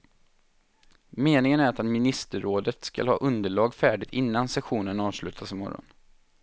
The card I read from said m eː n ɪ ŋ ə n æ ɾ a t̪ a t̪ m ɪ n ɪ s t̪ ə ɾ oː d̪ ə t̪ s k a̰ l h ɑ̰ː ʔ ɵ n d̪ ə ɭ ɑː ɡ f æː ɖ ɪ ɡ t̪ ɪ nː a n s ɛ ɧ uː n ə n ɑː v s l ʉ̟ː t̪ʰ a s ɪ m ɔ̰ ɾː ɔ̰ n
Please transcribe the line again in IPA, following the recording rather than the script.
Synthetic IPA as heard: m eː n ɪ ŋ ə n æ ɾ a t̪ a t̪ m ɪ n ɪ s t̪ ə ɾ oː d̪ ə t̪ s k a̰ l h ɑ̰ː ʔ ɵ n d̪ ə ɭ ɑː ɡ f æː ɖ ɪ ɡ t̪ ɪ nː a n s ɛ ɧ uː n ə n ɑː v s l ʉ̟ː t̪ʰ a s ɪ m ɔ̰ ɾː ɔ̰ n